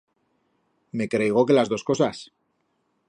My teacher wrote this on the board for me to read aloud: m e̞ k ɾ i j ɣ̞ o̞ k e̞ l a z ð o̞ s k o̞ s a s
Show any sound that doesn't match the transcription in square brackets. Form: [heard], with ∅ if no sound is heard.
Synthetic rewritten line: m e̞ k ɾ [e] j ɣ̞ o̞ k e̞ l a z ð o̞ s k o̞ s a s